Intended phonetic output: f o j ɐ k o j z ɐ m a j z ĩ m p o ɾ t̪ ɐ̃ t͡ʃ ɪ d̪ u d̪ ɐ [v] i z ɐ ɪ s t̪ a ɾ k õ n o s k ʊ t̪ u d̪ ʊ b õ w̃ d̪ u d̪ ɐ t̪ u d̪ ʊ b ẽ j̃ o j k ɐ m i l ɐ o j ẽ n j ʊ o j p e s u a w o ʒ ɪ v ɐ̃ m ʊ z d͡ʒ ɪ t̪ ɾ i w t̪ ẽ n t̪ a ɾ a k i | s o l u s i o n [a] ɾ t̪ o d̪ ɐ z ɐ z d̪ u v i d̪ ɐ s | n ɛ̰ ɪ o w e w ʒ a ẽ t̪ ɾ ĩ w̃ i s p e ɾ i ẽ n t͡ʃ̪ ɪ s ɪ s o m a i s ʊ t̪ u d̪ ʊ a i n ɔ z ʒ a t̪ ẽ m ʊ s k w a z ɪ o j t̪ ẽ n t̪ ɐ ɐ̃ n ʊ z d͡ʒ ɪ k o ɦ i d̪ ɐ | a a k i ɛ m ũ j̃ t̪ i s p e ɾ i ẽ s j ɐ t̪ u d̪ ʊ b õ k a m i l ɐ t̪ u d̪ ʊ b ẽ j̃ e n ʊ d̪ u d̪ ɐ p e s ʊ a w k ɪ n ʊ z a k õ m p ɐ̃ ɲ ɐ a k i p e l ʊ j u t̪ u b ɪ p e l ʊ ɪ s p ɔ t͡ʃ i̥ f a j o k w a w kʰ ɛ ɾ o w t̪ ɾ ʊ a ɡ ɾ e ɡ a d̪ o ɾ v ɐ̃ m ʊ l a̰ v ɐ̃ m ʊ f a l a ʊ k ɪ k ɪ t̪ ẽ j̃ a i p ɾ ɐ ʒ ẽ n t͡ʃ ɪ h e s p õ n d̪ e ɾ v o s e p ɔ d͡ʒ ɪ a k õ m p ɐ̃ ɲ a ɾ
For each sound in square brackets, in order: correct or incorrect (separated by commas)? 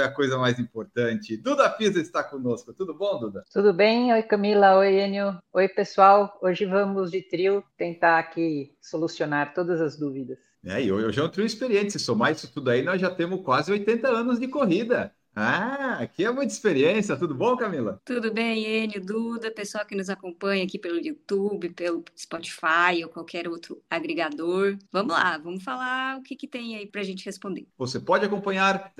incorrect, correct